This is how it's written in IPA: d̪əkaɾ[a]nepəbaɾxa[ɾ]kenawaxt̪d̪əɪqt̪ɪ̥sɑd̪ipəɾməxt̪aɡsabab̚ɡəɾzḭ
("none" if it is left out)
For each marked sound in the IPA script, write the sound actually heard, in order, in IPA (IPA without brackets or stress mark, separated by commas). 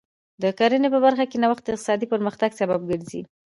ə, none